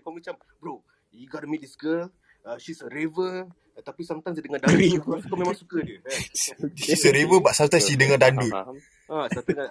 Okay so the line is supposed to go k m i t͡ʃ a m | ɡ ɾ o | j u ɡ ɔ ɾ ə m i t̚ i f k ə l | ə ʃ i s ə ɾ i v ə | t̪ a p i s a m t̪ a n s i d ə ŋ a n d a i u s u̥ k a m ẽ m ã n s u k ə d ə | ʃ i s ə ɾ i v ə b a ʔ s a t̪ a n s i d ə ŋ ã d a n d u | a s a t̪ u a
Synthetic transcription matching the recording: k m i t͡ʃ a m | b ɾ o | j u ɡ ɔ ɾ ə m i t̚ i s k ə l | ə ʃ i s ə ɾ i v ə | t̪ a p i s a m t̪ a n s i d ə ŋ a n d a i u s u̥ k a m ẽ m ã ŋ s u k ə d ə | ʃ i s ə ɾ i v ə b a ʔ s a t̪ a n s i d ə ŋ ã d a n d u | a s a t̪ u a